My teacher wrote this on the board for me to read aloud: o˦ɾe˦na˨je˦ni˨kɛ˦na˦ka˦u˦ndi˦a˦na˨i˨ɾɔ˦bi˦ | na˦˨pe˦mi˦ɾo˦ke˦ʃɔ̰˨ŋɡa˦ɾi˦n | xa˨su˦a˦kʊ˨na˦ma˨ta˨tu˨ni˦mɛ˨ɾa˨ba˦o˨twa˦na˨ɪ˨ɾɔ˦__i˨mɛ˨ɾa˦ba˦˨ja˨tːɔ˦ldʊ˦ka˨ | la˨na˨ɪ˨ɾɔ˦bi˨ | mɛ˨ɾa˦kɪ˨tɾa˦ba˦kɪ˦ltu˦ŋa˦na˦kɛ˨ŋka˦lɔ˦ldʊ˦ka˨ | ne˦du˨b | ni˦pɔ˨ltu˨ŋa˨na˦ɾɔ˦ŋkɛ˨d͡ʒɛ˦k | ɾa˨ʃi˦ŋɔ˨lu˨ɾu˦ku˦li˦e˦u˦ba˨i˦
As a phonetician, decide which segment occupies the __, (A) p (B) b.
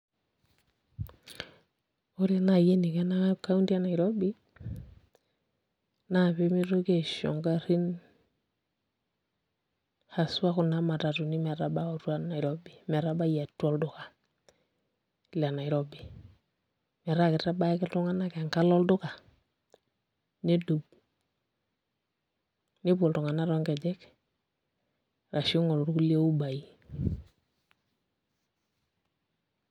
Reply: B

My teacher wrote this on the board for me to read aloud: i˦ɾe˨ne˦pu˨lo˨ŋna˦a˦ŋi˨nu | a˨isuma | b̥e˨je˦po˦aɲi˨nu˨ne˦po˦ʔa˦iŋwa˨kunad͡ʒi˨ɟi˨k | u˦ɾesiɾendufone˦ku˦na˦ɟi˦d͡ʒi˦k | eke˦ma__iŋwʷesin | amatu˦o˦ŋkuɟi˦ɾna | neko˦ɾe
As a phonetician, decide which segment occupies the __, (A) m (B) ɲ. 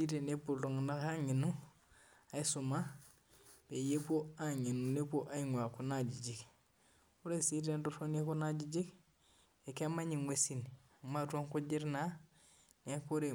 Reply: B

